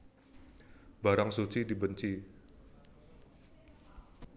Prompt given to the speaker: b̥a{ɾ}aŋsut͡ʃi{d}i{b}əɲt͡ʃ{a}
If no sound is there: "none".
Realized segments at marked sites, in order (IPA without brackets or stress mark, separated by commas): ɾ, d, b, i